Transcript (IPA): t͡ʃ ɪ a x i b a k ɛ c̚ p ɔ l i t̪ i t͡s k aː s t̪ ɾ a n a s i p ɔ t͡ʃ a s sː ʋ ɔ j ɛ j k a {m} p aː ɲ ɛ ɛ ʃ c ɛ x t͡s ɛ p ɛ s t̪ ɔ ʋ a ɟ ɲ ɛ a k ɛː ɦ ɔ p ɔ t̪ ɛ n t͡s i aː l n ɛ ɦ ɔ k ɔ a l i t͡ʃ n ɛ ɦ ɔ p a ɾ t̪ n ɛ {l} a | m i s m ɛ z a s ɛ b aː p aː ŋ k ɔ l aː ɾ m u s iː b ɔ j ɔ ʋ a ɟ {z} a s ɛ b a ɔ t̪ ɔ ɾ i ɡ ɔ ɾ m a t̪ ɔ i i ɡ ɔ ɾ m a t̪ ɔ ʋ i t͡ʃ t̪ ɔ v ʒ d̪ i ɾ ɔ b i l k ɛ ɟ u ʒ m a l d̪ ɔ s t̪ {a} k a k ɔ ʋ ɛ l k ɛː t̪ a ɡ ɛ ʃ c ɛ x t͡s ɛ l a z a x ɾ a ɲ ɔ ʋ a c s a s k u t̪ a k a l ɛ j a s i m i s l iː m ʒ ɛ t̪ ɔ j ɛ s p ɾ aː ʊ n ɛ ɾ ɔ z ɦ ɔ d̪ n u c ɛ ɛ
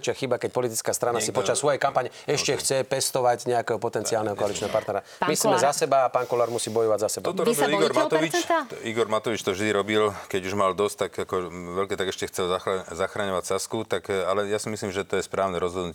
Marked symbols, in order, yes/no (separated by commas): yes, no, yes, yes